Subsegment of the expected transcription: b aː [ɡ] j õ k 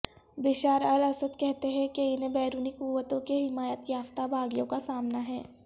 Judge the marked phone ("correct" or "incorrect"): correct